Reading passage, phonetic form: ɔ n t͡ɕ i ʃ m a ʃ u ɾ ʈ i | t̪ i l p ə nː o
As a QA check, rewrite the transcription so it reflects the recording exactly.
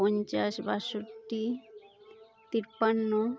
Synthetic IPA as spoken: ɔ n t͡ɕ a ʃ b a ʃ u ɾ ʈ i | t̪ i ɾ p a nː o

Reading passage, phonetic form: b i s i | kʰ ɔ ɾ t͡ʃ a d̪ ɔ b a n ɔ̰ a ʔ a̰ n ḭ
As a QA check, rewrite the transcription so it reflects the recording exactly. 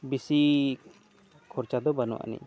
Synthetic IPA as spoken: b i s i | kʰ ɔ ɾ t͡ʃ a d̪ ɔ b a n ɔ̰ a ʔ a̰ n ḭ

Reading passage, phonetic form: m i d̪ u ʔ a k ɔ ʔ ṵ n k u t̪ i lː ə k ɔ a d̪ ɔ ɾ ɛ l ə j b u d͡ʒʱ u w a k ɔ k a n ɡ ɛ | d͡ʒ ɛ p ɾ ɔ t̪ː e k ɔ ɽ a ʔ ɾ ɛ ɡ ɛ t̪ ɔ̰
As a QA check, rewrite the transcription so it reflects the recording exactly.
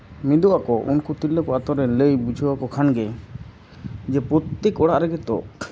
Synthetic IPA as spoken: m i d̪ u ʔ a k ɔ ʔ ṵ n k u t̪ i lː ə k ɔ a t̪ ɔ ɾ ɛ l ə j b u d͡ʒʱ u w a k ɔ kʰ a n ɡ ɛ | d͡ʒ ɛ p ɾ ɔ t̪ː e k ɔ ɽ a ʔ ɾ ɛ ɡ ɛ t̪ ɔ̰

